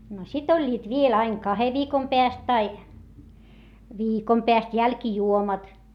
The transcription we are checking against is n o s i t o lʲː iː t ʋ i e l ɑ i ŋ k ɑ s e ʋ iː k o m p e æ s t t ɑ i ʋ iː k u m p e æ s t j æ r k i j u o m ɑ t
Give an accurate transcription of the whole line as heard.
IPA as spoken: n o s i t o lʲː iː t ʋ i e l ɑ i ŋ k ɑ h e ʋ iː k o m p e æ s t t ɑ i ʋ iː k o m p e æ s t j æ l k i j u o m ɑ t